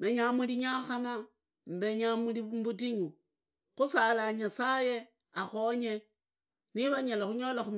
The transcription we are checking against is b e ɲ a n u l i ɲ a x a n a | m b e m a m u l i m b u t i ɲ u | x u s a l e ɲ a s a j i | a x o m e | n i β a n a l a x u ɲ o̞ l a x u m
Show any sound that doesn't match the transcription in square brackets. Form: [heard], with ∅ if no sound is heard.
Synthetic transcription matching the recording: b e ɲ a [m] u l i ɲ a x a n a | m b e [ɲ] a m u l i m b u t i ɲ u | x u s a l [a] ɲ a s a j [e] | a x o [ɲ] e | n i β a [ɲ] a l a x u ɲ o̞ l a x u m

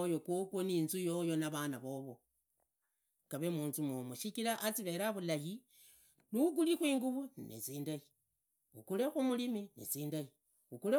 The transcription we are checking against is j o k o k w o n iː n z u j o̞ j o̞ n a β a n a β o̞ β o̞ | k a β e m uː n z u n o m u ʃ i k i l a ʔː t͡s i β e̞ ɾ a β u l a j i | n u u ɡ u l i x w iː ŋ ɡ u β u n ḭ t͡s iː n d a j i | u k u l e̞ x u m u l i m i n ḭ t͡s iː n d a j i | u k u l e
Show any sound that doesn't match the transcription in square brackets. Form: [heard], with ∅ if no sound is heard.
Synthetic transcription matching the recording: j o k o k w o n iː n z u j o̞ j o̞ n a β a n a β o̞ β o̞ | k a β e m uː n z u [m] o m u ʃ i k i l a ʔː t͡s i β e̞ ɾ a β u l a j i | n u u ɡ u l i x w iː ŋ ɡ u β u n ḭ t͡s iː n d a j i | u k u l e̞ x u m u l i m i n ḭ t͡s iː n d a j i | u k u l e

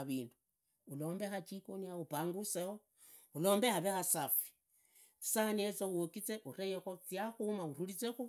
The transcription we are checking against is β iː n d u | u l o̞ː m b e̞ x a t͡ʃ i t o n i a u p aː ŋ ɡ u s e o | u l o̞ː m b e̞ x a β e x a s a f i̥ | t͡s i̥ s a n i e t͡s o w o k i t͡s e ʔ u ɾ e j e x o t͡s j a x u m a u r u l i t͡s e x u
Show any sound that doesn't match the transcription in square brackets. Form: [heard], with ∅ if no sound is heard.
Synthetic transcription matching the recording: β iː n d u | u l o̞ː m b e̞ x a t͡ʃ i [k] o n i a u p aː ŋ ɡ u s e o | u l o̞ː m b e̞ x a β e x a s a f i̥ | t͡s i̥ s a n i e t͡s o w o k i t͡s e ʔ u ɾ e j e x o t͡s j a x u m a u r u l i t͡s e x u

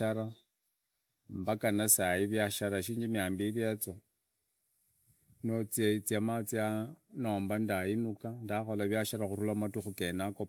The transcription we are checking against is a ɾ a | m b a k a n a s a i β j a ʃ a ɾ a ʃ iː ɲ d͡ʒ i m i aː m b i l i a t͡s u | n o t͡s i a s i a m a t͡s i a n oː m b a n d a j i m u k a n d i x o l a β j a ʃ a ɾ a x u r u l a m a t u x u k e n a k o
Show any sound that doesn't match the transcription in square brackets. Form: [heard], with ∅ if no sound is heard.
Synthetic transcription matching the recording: a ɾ a | m b a k a n a s a i β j a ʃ a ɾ a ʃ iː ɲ d͡ʒ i m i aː m b i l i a t͡s [o] | n o t͡s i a [t͡s] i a m a t͡s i a n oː m b a n d a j i [n] u k a n d [a] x o l a β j a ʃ a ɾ a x u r u l a m a t u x u k e n a k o

